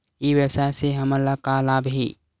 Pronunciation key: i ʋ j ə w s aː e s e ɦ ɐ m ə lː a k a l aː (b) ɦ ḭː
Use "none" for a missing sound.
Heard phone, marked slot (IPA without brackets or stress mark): b